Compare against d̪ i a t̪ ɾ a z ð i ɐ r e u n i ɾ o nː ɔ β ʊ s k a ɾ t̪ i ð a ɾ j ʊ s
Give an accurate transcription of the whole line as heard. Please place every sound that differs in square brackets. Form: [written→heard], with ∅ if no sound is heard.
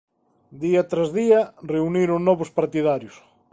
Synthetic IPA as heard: d̪ i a t̪ ɾ a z ð i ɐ r e u n i ɾ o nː ɔ β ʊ s [k→p] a ɾ t̪ i ð a ɾ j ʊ s